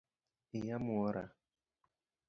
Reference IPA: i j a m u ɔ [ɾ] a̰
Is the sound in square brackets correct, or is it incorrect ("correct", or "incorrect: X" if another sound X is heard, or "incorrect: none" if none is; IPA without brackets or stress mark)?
correct